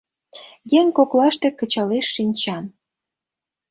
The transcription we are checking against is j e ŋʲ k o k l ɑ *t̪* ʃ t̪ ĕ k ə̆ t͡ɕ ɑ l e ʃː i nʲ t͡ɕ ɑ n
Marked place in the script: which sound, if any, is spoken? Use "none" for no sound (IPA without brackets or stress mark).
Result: none